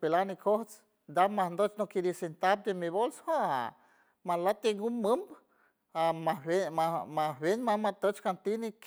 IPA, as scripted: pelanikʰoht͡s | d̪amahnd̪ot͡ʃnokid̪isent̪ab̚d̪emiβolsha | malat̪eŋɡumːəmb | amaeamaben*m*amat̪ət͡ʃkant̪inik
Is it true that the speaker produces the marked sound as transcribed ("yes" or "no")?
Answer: yes